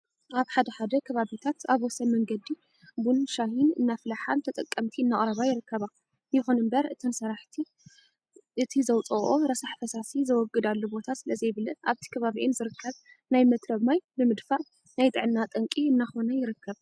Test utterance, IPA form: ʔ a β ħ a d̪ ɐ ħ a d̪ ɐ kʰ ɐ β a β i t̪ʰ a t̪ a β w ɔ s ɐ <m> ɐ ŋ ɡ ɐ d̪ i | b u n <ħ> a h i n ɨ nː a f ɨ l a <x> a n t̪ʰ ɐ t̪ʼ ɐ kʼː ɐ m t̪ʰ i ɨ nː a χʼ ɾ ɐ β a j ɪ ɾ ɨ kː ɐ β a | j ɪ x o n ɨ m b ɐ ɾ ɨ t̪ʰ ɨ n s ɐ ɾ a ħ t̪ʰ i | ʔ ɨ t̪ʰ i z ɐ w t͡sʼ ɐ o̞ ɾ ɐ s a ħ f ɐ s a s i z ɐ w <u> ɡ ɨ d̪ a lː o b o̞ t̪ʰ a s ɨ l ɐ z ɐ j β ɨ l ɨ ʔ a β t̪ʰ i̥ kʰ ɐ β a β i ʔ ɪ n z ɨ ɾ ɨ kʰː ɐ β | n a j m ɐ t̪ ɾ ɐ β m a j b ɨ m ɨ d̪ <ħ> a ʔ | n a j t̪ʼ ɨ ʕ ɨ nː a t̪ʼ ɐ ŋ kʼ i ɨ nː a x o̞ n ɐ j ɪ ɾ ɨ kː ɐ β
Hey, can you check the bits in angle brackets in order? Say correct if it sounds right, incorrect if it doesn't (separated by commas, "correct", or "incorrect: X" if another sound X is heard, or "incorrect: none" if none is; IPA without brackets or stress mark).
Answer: correct, incorrect: ʃ, incorrect: ħ, incorrect: ɔ, incorrect: f